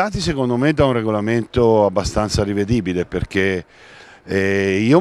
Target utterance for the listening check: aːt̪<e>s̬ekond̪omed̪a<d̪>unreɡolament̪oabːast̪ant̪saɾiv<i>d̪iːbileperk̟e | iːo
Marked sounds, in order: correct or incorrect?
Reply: incorrect: i, incorrect: none, incorrect: e

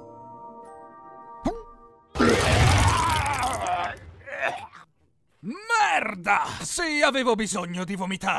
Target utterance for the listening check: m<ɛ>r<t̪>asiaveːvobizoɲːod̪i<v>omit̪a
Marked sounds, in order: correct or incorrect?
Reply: correct, incorrect: d̪, correct

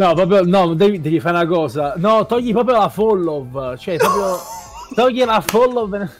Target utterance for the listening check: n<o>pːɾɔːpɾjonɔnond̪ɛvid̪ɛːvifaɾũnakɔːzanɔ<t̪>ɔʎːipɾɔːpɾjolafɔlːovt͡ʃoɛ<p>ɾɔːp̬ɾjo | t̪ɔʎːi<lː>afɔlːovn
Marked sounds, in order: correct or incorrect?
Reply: incorrect: ɔ, correct, correct, incorrect: l

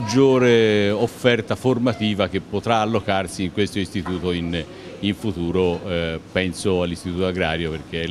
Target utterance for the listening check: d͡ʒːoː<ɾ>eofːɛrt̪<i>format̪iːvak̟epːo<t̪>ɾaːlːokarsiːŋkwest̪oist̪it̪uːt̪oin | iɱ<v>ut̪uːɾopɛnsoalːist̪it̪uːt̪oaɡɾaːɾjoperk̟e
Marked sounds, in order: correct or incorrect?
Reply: correct, incorrect: a, correct, incorrect: f

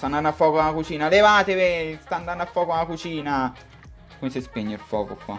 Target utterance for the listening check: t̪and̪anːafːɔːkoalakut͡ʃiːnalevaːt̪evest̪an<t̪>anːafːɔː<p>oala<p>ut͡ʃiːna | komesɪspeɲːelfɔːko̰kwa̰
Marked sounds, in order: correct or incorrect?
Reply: incorrect: d̪, incorrect: k, incorrect: k

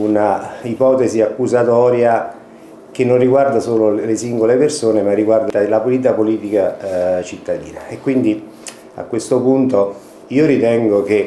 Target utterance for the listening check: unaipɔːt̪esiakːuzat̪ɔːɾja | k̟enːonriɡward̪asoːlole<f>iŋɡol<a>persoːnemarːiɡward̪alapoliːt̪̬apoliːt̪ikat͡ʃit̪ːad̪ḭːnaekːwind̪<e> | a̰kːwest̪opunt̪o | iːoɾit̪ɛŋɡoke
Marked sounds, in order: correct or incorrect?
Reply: incorrect: s, incorrect: e, incorrect: i

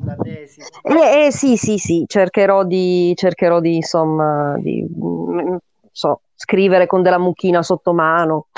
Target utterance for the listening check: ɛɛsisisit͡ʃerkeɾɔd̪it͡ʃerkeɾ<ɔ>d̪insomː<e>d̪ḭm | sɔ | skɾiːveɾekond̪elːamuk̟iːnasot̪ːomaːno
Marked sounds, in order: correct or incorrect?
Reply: correct, incorrect: a

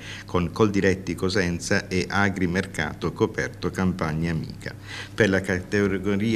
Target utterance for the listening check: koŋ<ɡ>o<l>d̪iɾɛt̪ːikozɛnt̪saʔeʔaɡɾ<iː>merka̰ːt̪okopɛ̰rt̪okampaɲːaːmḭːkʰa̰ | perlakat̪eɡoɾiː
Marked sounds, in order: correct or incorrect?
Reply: incorrect: k, correct, incorrect: i

